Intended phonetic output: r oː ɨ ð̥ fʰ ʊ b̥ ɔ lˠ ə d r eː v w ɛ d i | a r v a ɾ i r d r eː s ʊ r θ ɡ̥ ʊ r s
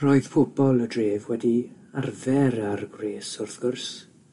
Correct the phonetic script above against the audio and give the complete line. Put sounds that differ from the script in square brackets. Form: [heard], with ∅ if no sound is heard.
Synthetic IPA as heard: r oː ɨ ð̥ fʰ ʊ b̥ ɔ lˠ ə d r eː v w ɛ d i | a r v [ɛ] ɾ [a] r [ɡ] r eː s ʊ r θ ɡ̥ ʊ r s